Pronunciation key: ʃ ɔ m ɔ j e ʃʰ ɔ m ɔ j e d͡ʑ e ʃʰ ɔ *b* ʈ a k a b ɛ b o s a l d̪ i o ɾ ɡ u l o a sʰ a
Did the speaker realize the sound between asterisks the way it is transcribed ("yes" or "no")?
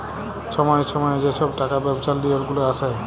yes